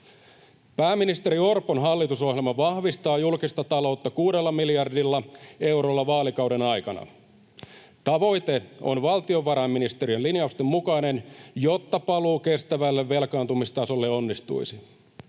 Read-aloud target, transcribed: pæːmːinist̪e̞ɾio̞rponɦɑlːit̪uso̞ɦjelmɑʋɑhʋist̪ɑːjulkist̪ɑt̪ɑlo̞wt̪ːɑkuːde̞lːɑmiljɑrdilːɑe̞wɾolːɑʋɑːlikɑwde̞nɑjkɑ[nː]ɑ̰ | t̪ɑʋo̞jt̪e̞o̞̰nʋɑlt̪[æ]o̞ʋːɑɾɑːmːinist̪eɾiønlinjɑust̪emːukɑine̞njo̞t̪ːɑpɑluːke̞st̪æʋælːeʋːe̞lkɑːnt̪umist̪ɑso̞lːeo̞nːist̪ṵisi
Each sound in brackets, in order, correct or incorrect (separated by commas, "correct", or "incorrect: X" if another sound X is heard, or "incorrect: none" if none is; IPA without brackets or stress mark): incorrect: n, incorrect: i